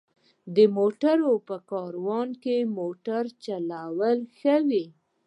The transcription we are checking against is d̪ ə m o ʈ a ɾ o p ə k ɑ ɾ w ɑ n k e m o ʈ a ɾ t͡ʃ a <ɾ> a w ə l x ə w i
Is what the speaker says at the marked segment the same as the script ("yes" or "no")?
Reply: no